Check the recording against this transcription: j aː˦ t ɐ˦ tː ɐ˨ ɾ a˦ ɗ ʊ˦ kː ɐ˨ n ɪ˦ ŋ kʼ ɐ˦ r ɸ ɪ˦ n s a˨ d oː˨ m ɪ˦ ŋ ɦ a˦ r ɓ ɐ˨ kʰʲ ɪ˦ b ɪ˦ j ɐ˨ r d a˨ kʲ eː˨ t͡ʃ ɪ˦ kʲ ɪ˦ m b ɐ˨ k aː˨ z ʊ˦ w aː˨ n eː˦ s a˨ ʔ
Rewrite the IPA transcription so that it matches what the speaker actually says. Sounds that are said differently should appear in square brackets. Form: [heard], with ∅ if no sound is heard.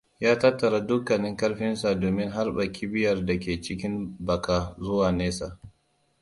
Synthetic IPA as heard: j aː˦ t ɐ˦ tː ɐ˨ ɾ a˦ [d] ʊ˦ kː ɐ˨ n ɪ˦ ŋ [k] ɐ˦ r ɸ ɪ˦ n s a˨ d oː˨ m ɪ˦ ŋ ɦ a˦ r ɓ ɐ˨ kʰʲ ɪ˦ b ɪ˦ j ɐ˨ r d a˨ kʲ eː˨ t͡ʃ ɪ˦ kʲ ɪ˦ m b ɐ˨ k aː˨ z ʊ˦ w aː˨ n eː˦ s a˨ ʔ